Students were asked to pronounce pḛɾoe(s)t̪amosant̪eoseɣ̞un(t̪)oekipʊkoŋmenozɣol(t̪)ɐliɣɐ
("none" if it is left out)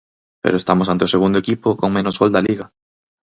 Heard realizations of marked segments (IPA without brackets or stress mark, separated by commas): s, d̪, d̪